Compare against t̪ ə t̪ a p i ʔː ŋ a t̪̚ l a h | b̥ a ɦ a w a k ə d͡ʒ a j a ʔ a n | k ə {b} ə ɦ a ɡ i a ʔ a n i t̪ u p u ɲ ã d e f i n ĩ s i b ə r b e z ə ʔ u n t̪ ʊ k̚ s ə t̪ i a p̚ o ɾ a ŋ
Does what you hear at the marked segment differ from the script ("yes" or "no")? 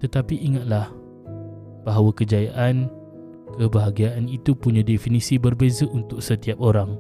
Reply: no